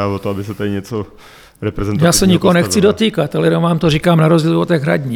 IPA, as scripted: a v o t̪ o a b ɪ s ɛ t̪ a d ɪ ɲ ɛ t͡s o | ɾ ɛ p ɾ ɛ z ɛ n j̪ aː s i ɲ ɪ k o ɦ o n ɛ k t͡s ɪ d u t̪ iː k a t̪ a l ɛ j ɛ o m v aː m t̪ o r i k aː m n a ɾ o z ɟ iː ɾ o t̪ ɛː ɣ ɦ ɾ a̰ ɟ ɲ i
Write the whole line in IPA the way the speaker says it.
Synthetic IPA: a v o t̪ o a b ɪ s ɛ t̪ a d ɪ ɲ ɛ t͡s o | ɾ ɛ p ɾ ɛ z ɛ n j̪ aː s ɛ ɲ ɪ k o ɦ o n ɛ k t͡s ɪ d o t̪ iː k a t̪ a l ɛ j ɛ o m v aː m t̪ o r i k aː m n a ɾ o z ɟ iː l o t̪ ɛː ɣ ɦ ɾ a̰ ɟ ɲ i